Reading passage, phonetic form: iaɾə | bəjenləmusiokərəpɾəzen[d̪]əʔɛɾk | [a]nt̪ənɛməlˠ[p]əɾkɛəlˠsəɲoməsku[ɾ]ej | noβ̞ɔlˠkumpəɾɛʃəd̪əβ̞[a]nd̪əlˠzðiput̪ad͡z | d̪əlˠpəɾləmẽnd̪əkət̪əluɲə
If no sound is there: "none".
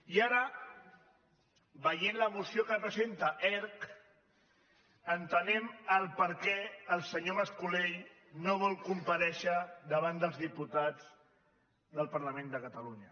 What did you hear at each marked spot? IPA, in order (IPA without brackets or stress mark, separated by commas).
t̪, ə, p, l, a